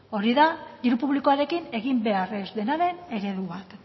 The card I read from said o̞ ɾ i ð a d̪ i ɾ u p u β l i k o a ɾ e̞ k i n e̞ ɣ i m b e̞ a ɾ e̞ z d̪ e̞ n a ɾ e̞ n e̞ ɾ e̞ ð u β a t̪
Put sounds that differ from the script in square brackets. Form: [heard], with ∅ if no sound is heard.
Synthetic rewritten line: o̞ ɾ i ð a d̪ i ɾ u p u β l i k o a ɾ e̞ k i n e̞ ɣ i m b e̞ a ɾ e̞ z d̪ e̞ n a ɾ e̞ n e̞ ɾ e̞ ð u β a t̪